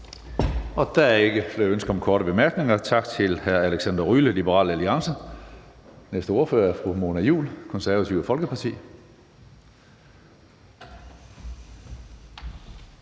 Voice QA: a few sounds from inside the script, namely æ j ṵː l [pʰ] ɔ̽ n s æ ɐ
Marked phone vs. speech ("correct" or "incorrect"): incorrect